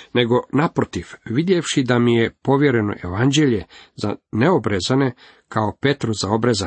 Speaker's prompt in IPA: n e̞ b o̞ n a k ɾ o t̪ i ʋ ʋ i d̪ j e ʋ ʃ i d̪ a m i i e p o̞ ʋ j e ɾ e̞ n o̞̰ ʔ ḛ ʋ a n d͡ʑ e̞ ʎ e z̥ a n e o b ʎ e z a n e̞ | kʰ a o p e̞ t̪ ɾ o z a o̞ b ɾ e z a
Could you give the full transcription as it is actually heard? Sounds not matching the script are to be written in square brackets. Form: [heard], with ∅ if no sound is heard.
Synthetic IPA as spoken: n e̞ [ɡ] o̞ n a [p] ɾ o t̪ i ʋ ʋ i d̪ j e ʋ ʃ i d̪ a m i [j] e p o̞ ʋ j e ɾ e̞ n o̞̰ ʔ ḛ ʋ a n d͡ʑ e̞ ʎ e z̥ a n e o b [ɾ] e z a n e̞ | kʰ a o p e̞ t̪ ɾ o z a o̞ b ɾ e z a